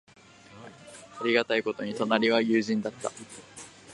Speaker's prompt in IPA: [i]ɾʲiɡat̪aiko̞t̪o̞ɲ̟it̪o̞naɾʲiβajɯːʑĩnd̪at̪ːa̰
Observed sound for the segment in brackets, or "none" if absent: a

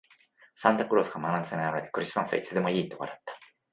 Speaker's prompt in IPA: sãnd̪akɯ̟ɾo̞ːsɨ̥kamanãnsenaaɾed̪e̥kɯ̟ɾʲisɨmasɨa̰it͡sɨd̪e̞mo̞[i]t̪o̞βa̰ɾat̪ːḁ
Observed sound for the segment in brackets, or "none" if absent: iː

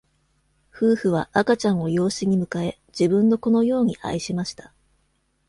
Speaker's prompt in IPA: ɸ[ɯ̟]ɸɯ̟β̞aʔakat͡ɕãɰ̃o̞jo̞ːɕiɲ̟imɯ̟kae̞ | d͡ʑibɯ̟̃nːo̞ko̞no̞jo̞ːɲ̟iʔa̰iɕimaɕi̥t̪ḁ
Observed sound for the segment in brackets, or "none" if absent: ɯ̟ː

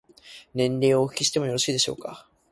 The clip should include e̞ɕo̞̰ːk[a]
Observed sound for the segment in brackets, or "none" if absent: a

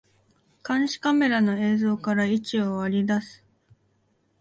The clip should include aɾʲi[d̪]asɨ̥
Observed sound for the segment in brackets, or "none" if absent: d̪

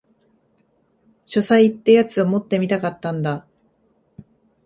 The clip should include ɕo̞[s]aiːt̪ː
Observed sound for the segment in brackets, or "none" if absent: s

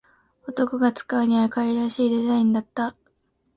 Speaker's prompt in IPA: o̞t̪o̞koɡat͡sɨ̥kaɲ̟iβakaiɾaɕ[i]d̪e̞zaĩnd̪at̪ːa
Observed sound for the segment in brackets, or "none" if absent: iː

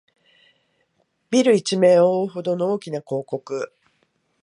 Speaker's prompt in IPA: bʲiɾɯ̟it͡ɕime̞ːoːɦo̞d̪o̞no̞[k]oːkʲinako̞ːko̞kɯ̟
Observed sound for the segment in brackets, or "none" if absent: none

